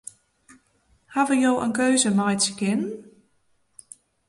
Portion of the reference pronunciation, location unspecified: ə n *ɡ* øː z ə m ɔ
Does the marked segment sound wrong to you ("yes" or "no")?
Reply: yes